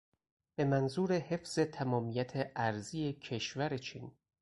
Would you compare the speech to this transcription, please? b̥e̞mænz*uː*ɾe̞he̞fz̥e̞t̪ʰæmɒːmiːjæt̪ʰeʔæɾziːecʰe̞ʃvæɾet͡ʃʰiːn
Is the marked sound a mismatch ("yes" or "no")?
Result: no